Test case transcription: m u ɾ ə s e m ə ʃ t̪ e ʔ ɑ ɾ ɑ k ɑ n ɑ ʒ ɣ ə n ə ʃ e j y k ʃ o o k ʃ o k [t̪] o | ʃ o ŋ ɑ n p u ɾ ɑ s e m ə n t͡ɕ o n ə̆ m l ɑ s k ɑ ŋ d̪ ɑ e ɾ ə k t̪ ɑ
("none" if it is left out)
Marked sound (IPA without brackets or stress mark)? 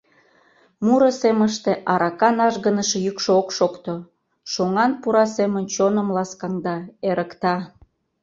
t̪